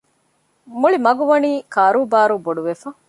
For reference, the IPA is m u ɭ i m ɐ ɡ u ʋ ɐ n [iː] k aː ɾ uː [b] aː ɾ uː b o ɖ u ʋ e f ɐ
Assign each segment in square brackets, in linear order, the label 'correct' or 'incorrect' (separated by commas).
correct, correct